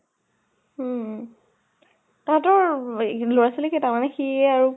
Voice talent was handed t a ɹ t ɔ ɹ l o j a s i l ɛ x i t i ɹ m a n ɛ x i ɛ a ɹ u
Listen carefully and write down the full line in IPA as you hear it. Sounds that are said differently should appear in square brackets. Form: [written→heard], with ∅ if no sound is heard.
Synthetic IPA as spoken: t a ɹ t ɔ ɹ l o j a s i l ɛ [x→k] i t [i→a] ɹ m a n ɛ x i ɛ a ɹ u